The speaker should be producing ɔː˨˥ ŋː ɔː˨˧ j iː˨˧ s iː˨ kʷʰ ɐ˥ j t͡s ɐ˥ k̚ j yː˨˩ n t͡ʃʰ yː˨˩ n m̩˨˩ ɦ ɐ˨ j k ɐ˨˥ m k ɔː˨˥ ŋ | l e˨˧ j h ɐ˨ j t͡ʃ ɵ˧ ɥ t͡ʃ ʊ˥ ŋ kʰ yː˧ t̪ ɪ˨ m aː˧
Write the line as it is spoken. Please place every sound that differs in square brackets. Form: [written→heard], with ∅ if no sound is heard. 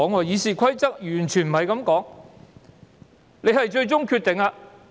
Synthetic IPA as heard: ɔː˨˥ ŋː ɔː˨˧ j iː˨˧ s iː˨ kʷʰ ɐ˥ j t͡s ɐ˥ k̚ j yː˨˩ n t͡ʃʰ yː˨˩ n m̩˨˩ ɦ ɐ˨ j k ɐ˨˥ m k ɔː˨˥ ŋ | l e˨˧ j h ɐ˨ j t͡ʃ ɵ˧ ɥ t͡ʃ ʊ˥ ŋ kʰ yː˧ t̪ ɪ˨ [m→ŋ] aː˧